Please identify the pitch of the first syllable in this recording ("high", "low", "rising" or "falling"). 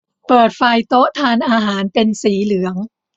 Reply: low